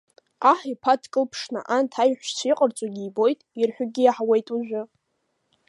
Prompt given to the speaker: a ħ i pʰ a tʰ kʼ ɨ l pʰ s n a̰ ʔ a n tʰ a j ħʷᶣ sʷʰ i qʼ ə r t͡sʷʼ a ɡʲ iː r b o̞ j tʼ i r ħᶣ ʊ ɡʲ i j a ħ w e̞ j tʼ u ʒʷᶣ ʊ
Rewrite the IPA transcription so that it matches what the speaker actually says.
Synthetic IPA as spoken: a ħ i pʰ a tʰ kʼ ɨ l pʰ ʂ n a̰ ʔ a n tʰ a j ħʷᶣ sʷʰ i qʼ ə r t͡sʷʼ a ɡʲ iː b o̞ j tʼ i r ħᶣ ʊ ɡʲ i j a ħ w e̞ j tʼ u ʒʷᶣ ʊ